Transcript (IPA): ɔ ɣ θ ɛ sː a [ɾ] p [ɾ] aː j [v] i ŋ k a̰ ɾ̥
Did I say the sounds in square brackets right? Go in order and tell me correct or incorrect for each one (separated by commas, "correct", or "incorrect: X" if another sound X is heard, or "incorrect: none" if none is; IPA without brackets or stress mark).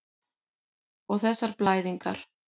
correct, incorrect: l, incorrect: ð